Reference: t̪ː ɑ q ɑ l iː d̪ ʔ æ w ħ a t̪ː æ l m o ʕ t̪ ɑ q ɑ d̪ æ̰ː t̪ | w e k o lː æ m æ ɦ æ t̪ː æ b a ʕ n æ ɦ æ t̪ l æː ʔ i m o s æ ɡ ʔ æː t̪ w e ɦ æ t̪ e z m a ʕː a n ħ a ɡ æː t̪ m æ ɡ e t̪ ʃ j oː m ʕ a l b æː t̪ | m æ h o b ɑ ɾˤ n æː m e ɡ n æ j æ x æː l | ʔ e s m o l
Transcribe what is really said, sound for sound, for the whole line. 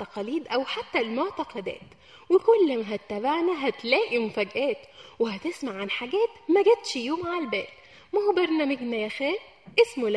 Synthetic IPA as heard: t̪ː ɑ q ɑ l iː d̪ ʔ æ w ħ a t̪ː æ l m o ʕ t̪ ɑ q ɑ d̪ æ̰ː t̪ | w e k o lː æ m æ ɦ æ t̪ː æ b a ʕ n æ ɦ æ t̪ l æː ʔ i m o f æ ɡ ʔ æː t̪ w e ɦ æ t̪ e s m a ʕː a n ħ a ɡ æː t̪ m æ ɡ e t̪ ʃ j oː m ʕ a l b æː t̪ | m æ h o b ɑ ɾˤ n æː m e ɡ n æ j æ x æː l | ʔ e s m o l